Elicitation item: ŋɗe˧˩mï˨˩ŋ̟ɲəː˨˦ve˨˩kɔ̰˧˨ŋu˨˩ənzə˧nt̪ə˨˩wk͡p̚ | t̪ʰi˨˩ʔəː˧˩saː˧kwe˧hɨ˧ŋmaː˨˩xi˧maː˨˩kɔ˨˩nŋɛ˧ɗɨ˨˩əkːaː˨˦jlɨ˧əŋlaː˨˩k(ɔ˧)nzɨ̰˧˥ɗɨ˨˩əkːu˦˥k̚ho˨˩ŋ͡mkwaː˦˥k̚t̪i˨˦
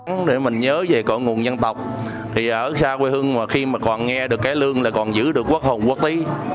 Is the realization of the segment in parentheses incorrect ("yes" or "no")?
yes